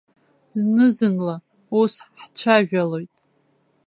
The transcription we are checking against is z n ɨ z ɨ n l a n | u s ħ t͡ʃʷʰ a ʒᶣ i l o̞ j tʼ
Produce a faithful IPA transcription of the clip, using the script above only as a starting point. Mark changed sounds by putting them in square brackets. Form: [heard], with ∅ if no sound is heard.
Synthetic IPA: z n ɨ z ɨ n l a [∅] | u s ħ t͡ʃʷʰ a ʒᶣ [a] l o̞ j tʼ